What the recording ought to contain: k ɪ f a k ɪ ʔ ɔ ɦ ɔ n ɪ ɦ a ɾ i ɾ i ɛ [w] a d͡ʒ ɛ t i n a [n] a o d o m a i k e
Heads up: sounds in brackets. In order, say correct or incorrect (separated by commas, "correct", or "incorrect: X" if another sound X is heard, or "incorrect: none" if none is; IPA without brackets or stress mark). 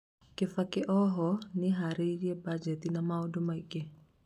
incorrect: b, incorrect: m